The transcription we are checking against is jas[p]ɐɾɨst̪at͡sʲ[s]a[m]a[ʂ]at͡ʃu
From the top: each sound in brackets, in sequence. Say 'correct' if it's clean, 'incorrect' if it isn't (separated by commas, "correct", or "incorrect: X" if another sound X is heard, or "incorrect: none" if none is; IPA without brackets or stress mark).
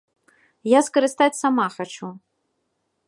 incorrect: k, correct, correct, incorrect: x